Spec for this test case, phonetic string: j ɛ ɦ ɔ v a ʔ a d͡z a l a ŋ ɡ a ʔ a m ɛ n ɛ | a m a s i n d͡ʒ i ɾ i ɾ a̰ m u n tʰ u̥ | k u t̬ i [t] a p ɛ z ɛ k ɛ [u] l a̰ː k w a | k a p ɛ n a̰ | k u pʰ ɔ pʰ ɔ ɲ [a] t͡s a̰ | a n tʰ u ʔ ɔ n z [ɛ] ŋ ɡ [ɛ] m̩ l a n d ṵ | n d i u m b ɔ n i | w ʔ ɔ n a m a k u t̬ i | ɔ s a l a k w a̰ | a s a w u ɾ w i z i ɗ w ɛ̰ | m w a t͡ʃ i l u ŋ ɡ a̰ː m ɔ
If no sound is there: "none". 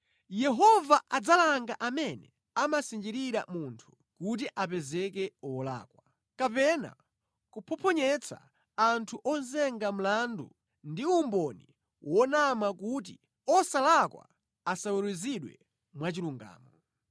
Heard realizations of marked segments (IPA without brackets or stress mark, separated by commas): ʔ, ɔ, ɛ, ɛ, a